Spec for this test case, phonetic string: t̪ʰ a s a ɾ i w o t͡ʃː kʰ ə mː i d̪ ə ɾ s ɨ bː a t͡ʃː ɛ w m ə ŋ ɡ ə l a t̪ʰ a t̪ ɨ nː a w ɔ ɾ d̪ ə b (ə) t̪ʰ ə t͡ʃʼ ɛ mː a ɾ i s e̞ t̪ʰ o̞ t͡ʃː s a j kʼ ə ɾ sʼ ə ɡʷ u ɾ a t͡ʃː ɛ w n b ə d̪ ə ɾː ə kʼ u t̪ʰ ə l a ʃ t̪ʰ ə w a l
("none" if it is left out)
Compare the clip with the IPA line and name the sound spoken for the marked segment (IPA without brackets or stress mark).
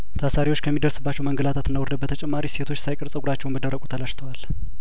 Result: ə